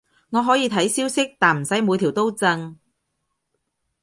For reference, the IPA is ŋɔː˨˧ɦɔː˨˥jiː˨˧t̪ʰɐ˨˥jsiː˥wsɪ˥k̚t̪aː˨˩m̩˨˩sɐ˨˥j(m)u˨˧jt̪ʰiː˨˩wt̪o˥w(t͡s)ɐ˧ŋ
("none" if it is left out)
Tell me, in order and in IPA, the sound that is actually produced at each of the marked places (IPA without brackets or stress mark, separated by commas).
m, t͡s